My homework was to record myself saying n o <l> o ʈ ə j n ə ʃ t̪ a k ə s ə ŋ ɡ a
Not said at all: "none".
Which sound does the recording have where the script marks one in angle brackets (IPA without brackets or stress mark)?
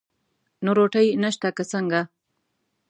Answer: ɾ